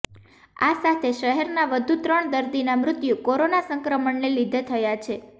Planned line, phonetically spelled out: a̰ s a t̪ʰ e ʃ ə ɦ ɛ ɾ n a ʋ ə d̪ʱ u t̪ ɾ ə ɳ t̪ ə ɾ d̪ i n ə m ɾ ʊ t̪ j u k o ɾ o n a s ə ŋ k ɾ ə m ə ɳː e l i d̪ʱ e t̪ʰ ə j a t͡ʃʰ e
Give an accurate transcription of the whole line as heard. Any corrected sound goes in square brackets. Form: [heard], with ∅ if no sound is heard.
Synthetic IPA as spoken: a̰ s a t̪ʰ e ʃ ə ɦ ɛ ɾ n a ʋ ə d̪ʱ u t̪ ɾ ə ɳ [d̪] ə ɾ d̪ i n [a] m ɾ ʊ t̪ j u k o ɾ o n a s ə ŋ k ɾ ə m ə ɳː e l i d̪ʱ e t̪ʰ ə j a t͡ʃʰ e